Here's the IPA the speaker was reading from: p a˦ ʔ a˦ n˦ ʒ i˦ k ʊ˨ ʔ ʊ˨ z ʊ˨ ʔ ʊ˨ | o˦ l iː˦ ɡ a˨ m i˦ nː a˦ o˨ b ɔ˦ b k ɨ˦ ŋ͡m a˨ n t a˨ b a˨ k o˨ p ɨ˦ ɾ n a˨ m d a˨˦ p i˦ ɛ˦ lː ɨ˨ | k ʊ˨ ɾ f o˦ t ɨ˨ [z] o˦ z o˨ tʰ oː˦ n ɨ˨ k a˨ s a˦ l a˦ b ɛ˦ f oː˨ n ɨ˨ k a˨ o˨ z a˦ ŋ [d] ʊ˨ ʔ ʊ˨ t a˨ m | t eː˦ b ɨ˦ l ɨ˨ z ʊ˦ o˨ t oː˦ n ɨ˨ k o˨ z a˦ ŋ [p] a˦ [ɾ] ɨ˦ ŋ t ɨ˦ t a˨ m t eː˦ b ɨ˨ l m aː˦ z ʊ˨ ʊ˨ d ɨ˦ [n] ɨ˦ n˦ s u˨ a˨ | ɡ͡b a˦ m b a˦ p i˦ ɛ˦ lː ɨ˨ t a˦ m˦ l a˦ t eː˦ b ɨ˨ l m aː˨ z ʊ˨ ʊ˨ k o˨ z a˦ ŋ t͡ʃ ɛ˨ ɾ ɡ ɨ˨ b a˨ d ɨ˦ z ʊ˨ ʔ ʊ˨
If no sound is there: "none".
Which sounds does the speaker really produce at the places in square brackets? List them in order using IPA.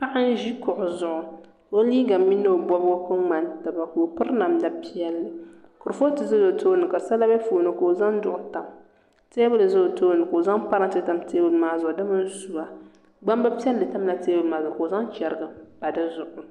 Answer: z, d, p, ɾ, m

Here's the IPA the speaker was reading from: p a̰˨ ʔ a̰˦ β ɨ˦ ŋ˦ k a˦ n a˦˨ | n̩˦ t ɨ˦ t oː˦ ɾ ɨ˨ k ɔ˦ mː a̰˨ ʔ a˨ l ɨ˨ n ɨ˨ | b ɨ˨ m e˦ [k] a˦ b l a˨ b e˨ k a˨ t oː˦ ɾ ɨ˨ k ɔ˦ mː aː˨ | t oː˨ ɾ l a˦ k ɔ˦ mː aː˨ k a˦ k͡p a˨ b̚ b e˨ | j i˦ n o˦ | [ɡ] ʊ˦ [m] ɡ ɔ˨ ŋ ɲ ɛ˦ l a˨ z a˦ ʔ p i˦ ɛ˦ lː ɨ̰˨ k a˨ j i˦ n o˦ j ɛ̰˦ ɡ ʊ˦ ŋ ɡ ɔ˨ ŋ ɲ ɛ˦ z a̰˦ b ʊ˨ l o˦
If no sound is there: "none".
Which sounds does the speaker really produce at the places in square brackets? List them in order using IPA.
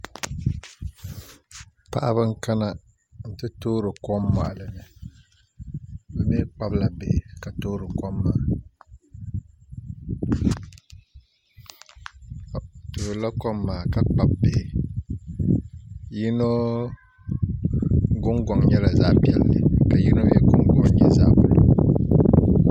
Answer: k͡p, ɡ, ŋ

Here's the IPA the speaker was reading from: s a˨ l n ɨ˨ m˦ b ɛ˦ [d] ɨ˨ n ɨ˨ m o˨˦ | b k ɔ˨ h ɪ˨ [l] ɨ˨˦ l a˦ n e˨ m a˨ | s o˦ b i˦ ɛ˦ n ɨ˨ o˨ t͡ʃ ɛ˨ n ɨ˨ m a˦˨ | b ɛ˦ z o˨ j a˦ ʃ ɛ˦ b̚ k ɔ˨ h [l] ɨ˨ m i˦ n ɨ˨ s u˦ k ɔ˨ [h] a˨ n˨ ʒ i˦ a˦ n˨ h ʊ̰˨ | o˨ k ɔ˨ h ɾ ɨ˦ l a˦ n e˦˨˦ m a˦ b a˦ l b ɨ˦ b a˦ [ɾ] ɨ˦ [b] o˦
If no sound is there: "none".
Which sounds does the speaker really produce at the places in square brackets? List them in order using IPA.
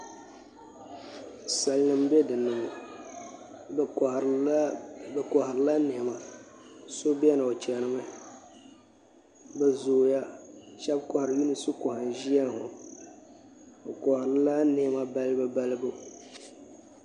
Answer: d, ɾ, ɾ, h, l, b

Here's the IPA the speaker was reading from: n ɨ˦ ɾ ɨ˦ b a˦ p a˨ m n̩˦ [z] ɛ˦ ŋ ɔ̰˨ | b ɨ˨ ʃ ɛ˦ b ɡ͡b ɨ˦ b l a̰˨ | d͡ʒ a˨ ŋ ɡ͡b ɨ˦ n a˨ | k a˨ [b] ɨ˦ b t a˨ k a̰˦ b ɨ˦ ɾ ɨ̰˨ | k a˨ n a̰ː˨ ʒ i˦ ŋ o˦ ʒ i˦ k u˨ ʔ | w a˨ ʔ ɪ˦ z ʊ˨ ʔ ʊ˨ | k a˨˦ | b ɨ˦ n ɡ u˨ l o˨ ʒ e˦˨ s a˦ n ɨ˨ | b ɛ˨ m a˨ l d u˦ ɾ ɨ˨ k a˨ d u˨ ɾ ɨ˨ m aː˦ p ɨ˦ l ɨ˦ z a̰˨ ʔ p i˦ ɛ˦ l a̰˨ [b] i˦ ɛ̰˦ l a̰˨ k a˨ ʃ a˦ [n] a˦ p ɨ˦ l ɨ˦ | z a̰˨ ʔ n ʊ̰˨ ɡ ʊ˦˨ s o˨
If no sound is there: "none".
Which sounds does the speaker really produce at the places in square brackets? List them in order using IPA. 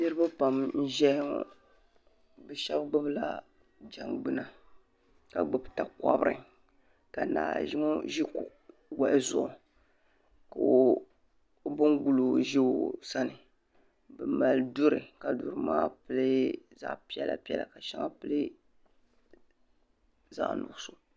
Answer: ʒ, ɡ͡b, p, ŋ

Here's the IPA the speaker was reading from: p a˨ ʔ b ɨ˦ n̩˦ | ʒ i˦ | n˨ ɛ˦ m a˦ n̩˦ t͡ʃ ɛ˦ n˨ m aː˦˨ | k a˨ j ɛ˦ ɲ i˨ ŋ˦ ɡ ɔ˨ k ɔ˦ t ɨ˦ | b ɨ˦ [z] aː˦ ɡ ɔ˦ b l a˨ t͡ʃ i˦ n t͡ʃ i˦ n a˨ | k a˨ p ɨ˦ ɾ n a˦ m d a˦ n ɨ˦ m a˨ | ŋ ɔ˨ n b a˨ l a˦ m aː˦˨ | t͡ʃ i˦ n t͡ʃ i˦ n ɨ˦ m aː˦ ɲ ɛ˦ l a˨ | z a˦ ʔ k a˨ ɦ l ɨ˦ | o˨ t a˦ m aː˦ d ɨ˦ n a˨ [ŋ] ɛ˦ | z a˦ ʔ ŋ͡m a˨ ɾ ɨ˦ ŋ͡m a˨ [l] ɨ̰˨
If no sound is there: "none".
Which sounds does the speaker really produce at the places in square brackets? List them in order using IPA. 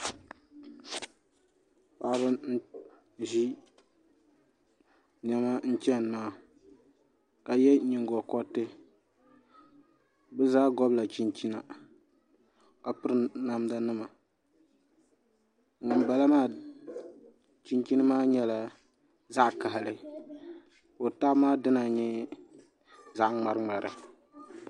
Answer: z, ɲ, ɾ

